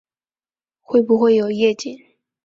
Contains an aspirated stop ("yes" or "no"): no